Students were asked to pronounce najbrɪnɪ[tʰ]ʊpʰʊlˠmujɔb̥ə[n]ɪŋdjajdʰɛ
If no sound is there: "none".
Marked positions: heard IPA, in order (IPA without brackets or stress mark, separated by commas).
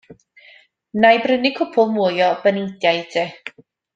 kʰ, n